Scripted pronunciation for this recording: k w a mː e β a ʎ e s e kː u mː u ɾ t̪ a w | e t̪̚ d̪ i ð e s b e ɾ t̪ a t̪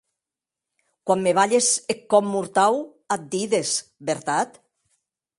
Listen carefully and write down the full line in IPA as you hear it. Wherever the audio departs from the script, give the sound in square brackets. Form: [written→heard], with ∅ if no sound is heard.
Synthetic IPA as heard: k w a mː e β a ʎ e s e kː [u→ɔ] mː u ɾ t̪ a w | [e→a] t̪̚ d̪ i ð e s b e ɾ t̪ a t̪